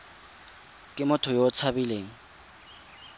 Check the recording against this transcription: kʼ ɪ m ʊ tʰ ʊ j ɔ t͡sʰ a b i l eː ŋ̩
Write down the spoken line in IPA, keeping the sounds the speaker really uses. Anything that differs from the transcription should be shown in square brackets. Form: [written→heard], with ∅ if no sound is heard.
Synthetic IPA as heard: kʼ ɪ m ʊ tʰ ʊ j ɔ t͡sʰ a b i l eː ŋ̩